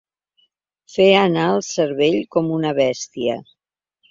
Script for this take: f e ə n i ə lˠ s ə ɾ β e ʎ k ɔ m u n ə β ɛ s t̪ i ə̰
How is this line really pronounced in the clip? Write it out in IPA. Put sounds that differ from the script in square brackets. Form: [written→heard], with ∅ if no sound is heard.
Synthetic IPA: f e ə n [i→a] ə lˠ s ə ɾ β e ʎ k ɔ m u n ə β ɛ s t̪ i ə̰